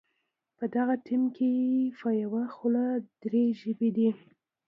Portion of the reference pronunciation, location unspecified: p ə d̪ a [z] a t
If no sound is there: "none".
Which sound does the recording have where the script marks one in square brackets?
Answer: ɣ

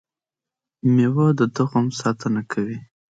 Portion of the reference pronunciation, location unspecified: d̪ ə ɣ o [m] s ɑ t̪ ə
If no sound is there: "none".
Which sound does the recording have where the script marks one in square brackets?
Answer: m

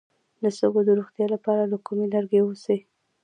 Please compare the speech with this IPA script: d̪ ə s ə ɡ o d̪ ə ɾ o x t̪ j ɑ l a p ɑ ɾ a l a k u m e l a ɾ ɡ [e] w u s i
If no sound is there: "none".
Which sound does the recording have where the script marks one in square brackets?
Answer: e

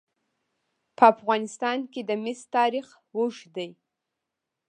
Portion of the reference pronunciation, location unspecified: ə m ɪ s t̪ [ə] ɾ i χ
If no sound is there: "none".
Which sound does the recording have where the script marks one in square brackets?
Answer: ɑ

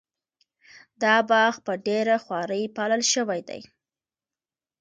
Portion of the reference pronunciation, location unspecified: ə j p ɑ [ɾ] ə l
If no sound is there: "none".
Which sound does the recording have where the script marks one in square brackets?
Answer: l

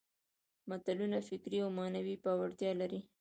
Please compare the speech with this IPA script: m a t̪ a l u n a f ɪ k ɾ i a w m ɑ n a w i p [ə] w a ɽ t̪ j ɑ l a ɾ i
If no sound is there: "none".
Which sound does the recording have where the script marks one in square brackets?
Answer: ɑ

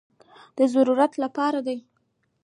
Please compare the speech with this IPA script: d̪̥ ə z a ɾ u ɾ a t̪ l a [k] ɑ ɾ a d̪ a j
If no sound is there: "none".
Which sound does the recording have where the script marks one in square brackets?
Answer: p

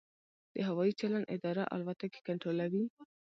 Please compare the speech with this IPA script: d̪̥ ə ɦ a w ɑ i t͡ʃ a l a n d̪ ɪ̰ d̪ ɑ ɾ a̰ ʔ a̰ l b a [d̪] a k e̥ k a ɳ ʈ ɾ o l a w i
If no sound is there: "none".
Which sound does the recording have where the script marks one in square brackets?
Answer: t̪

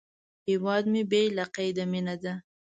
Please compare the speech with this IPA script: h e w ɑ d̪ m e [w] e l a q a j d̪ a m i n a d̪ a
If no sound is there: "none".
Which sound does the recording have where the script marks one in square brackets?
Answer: b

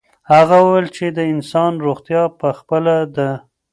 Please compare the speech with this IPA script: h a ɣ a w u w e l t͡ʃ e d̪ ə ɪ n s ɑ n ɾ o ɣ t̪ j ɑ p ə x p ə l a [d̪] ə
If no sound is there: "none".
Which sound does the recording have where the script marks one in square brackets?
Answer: d̪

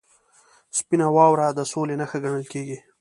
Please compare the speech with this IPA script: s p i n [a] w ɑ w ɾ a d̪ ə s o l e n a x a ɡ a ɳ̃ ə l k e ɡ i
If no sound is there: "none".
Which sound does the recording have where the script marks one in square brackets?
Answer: a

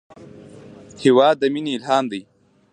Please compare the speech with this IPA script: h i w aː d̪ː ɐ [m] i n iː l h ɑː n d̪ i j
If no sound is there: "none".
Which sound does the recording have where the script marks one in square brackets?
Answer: m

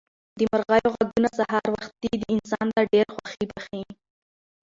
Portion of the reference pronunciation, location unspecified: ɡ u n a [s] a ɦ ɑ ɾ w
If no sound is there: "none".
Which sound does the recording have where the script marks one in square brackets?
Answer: s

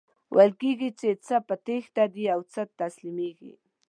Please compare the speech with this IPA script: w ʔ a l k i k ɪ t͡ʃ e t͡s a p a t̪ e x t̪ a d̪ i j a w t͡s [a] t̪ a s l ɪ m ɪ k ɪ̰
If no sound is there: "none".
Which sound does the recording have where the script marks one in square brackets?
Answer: a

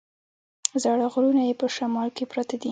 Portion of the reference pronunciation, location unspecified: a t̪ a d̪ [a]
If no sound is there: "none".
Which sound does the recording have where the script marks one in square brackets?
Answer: i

